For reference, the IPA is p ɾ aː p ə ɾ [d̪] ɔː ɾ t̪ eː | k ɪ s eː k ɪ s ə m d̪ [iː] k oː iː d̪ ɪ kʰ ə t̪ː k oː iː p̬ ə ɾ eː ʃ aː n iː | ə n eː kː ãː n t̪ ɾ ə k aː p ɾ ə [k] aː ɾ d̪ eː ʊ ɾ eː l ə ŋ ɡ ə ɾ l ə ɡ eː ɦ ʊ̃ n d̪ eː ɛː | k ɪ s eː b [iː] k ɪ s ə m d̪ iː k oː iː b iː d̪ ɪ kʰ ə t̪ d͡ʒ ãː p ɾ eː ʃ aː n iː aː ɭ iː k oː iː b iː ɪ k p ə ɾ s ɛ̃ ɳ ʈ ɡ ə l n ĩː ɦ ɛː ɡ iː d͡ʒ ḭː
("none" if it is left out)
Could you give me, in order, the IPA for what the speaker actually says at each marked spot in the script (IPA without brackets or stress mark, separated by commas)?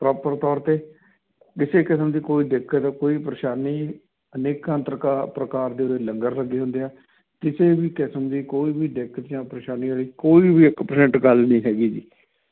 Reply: t̪, iː, k, iː